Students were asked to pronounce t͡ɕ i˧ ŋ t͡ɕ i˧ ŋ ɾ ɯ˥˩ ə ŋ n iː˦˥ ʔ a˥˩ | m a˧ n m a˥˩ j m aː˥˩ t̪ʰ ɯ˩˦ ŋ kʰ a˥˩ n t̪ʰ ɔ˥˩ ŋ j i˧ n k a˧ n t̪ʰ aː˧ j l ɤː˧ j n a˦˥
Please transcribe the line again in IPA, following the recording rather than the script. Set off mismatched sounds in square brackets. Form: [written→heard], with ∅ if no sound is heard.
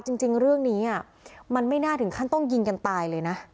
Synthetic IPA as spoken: t͡ɕ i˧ ŋ t͡ɕ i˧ ŋ ɾ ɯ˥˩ ə ŋ n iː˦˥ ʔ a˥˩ | m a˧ n m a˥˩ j [m→n] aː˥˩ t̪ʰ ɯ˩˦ ŋ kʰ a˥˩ n [t̪ʰ→t̪] ɔ˥˩ ŋ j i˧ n k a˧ n [t̪ʰ→t̪] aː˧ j l ɤː˧ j n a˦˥

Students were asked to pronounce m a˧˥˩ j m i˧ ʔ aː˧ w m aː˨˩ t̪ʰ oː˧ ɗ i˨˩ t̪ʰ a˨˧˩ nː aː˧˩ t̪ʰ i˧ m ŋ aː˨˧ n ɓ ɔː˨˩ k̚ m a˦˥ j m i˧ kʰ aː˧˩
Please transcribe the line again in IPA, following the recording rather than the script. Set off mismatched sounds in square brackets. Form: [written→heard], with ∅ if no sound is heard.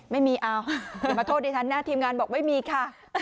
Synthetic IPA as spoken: m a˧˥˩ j m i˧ ʔ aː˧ w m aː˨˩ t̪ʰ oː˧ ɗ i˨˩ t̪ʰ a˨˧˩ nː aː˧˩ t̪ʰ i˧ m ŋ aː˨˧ n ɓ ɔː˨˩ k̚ m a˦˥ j m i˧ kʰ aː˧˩

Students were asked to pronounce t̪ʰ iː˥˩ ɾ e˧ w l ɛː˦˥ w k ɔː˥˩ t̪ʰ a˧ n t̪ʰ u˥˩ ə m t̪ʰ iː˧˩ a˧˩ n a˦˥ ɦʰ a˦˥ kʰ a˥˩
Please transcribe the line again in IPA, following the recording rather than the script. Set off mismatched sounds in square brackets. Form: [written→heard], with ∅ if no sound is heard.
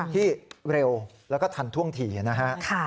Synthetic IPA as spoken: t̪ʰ iː˥˩ ɾ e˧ w l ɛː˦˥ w k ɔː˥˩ t̪ʰ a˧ n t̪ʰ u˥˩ ə [m→ŋ] t̪ʰ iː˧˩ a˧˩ n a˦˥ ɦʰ a˦˥ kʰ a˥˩

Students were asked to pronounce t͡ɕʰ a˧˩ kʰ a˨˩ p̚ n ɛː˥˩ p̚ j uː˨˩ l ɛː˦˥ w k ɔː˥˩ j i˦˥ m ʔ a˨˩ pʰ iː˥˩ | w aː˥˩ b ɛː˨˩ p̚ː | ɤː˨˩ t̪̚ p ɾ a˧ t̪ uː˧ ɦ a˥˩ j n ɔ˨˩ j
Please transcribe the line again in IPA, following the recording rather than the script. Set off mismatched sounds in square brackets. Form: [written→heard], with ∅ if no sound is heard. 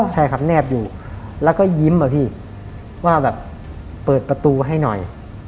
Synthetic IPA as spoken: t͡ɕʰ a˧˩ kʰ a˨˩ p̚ n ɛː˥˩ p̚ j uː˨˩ l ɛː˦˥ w k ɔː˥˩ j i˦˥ m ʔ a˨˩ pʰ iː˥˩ | w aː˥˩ b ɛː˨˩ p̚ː | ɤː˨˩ t̪̚ p ɾ a˧ t̪ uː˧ ɦ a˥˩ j n ɔ˨˩ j

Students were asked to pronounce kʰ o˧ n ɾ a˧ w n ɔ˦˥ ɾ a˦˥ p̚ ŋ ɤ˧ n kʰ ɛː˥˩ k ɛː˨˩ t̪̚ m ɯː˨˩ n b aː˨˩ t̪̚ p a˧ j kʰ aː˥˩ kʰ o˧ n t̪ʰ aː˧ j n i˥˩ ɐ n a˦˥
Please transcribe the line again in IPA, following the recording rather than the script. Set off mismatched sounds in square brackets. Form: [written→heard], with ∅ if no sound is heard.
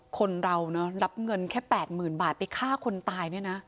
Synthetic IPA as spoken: kʰ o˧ n ɾ a˧ w n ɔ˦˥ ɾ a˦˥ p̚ ŋ ɤ˧ n kʰ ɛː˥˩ [k→p] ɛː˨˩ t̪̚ m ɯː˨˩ n b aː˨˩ t̪̚ p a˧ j kʰ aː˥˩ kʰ o˧ n [t̪ʰ→t̪] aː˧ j n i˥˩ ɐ n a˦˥

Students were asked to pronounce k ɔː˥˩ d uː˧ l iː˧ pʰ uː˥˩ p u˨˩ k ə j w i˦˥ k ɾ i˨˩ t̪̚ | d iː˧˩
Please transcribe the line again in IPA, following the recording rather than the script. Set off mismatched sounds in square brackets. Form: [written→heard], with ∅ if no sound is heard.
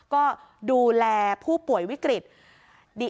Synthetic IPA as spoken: k ɔː˥˩ d uː˧ l [iː˧→ɛː˧] pʰ uː˥˩ p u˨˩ [k→∅] ə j w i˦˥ k ɾ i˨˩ t̪̚ | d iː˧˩

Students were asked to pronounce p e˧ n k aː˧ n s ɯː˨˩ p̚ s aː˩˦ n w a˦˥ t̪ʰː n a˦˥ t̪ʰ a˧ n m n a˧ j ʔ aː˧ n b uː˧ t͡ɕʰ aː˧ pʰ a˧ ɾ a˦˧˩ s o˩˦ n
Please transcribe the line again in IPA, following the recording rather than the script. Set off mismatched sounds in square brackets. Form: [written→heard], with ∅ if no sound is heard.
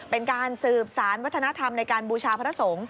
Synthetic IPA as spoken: p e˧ n k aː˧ n s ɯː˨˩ p̚ s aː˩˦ n w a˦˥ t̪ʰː n a˦˥ t̪ʰ a˧ [n→∅] m n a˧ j [ʔ→k] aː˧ n b uː˧ t͡ɕʰ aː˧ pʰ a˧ ɾ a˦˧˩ s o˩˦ [n→ŋ]

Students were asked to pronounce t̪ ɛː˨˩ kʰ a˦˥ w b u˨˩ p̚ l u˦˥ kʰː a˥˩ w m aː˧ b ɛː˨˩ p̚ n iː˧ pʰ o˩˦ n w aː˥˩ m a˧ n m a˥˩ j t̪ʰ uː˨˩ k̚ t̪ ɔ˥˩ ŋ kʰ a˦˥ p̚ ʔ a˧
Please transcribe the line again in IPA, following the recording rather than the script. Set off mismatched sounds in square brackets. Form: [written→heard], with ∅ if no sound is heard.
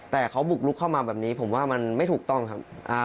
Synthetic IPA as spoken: t̪ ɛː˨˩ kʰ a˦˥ w b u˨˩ [p̚→k̚] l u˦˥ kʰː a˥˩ w m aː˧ b ɛː˨˩ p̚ n [iː˧→iː˦˥] pʰ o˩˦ [n→m] w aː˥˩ m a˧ n m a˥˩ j t̪ʰ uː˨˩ k̚ t̪ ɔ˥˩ ŋ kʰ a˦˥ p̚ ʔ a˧

